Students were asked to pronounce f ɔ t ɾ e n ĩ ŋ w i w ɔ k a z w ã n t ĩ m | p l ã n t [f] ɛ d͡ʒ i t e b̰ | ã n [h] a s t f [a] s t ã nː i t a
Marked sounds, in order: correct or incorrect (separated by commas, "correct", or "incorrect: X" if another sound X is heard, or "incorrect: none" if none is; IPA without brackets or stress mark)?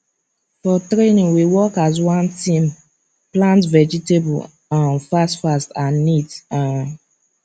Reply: incorrect: v, incorrect: f, correct